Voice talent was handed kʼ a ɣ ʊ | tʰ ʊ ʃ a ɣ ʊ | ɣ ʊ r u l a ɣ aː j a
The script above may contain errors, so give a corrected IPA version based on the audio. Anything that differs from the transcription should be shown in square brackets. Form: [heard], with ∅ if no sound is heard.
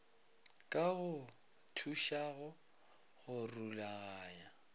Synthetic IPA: kʼ a ɣ ʊ | tʰ [u] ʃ a ɣ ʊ | ɣ ʊ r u l a ɣ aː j a